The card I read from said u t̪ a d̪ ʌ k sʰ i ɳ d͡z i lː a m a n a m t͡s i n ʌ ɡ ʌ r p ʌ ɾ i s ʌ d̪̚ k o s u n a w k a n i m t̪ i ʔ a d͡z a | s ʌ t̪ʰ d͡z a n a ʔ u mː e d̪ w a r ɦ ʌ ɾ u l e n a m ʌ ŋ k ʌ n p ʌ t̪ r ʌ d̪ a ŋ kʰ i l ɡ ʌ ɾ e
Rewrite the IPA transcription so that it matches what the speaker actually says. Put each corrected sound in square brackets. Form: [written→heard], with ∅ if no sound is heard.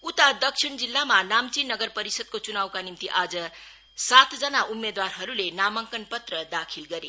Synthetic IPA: u t̪ a d̪ ʌ k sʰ i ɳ d͡z i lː a m a n a m t͡s i n ʌ ɡ ʌ r p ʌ ɾ i s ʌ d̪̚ k o [s→t͡s] u n a w k a n i m t̪ i ʔ a d͡z [a→ʌ] | s [ʌ→a] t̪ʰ d͡z [a→ʌ] n a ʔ u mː e d̪ w a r ɦ ʌ ɾ u l e n a m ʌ ŋ k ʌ n p ʌ t̪ r ʌ d̪ a [ŋ→∅] kʰ i l ɡ ʌ ɾ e